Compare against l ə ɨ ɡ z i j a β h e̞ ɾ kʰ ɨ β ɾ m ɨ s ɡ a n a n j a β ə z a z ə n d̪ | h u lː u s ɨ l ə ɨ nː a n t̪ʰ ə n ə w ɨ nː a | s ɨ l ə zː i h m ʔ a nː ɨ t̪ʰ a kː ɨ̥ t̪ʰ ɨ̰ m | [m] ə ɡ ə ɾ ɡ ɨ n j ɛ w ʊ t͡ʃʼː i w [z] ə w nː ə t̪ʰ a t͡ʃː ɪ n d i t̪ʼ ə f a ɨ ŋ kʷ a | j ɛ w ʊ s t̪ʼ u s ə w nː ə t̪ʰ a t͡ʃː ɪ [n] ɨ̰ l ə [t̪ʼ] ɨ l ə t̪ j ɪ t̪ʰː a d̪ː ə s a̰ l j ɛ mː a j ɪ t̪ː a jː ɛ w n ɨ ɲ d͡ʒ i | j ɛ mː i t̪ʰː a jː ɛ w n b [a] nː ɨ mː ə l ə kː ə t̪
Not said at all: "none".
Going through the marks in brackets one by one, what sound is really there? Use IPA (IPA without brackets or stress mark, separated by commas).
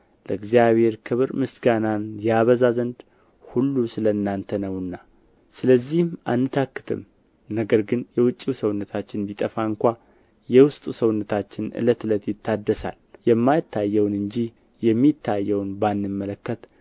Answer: n, s, n, t̪, a